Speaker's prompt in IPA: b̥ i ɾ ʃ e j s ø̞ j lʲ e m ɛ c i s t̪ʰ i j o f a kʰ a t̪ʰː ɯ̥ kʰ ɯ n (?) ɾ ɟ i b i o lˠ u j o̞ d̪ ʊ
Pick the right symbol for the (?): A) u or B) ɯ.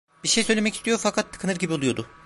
B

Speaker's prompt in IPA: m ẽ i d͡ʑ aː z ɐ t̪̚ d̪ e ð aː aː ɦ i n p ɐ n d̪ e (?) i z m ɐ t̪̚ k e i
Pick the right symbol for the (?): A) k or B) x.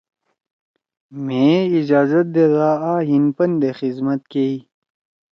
B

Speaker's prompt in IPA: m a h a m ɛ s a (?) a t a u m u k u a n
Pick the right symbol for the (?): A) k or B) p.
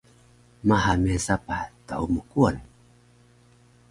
B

